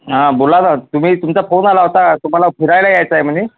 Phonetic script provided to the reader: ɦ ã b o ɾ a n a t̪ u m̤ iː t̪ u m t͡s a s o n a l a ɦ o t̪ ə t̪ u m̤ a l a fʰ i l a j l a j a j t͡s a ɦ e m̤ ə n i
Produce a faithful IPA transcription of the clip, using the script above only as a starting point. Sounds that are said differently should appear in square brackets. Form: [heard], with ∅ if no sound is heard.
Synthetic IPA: ɦ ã b o [l] a n a t̪ u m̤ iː t̪ u m t͡s a [f] o n a l a ɦ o t̪ [a] t̪ u m̤ a l a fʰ i [ɾ] a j l a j a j t͡s a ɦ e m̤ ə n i